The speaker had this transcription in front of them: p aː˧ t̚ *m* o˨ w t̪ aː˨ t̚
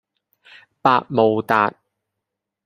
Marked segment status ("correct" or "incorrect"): correct